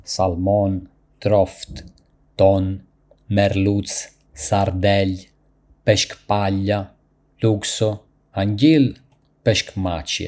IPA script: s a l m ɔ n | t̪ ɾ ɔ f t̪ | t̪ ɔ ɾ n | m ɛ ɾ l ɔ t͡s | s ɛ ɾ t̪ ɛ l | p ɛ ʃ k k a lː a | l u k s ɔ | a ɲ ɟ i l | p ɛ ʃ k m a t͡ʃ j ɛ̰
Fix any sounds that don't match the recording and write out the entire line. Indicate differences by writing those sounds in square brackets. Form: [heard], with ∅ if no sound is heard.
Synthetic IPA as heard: s a l m ɔ n | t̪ ɾ ɔ f t̪ | t̪ ɔ [∅] n | m ɛ ɾ l [u] t͡s | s [a] ɾ [d̪] ɛ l | p ɛ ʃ k [p] a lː a | l u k s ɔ | a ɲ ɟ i l | p ɛ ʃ k m a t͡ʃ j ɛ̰